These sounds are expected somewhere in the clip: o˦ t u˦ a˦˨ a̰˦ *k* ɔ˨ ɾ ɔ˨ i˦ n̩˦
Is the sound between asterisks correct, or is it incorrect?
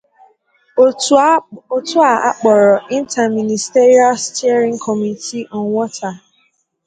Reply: incorrect